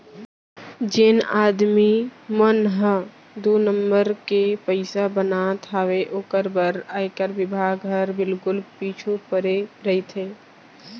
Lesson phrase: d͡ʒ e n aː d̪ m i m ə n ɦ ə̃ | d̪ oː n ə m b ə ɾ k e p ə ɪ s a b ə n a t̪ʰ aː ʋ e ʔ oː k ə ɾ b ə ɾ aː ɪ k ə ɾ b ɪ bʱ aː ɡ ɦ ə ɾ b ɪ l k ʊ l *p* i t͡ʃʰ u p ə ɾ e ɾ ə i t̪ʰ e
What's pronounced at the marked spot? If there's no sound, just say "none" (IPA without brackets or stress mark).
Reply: p